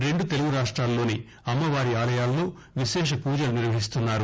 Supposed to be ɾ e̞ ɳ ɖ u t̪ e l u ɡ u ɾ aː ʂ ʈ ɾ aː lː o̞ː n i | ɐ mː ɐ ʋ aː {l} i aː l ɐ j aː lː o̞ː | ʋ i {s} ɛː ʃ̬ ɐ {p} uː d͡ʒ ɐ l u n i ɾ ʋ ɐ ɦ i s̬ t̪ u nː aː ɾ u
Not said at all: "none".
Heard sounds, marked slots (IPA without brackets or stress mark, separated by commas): ɾ, ʃ, p